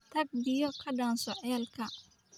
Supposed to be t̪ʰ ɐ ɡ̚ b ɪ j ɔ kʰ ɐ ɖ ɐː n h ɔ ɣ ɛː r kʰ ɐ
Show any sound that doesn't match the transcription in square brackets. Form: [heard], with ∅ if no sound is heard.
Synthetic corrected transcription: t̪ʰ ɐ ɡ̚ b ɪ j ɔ kʰ ɐ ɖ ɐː n [s] ɔ [ʕ] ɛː [l] kʰ ɐ